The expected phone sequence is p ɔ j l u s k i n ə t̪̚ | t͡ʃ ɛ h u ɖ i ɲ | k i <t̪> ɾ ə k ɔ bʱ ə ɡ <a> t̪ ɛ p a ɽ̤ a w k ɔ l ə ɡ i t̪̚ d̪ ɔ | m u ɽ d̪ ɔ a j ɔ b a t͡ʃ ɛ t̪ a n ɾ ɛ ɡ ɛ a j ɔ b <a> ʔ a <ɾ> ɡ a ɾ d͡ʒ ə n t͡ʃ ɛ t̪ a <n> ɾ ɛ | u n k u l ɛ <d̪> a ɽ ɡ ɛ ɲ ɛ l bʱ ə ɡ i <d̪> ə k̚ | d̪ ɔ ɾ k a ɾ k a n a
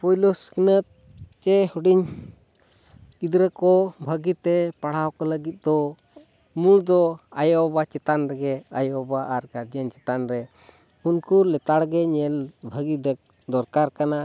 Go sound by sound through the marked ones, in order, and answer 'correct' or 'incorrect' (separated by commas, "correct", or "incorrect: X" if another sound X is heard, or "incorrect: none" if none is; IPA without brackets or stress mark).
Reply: incorrect: d̪, incorrect: i, correct, correct, correct, incorrect: t̪, correct